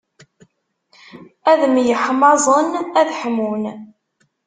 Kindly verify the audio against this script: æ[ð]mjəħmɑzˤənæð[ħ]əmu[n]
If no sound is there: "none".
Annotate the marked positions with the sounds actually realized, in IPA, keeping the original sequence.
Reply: ð, ħ, n

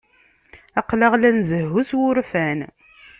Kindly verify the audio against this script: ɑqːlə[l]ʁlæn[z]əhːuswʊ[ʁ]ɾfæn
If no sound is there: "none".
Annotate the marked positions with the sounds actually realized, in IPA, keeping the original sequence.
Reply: none, z, none

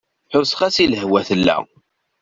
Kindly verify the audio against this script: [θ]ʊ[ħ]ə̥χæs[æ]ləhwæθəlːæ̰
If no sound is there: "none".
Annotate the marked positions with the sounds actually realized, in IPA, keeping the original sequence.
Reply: ħ, s, i

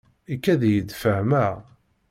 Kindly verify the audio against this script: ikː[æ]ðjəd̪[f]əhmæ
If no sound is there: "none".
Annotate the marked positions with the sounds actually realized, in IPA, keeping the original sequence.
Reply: æ, f

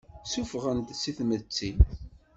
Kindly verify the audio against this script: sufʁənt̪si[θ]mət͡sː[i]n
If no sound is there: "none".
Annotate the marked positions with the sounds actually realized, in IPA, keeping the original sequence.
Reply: θ, i

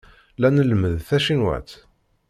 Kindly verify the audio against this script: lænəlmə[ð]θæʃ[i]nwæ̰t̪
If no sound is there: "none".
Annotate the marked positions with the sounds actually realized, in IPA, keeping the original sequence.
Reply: ð, i

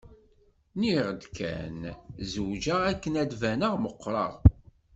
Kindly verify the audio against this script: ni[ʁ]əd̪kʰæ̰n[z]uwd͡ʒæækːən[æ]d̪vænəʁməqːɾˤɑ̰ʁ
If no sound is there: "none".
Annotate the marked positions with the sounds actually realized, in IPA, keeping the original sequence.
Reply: ʁ, z, æ

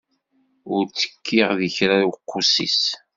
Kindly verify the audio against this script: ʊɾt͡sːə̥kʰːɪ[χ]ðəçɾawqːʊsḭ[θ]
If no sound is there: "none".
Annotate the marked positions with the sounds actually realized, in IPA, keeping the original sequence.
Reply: ʁ, s

